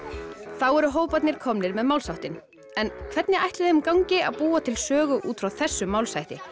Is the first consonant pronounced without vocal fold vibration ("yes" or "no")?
yes